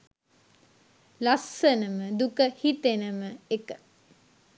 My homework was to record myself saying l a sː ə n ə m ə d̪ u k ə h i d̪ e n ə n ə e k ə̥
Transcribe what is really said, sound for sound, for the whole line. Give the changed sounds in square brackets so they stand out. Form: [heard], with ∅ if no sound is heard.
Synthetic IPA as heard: l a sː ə n ə m ə d̪ u k ə h i [t̪] e n ə [m] ə e k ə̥